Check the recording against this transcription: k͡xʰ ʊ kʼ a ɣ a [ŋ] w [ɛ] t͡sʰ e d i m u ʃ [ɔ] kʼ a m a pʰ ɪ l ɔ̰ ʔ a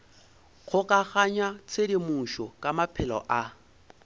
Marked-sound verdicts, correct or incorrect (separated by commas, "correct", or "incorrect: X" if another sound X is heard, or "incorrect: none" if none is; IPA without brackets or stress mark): incorrect: ɲ, incorrect: a, correct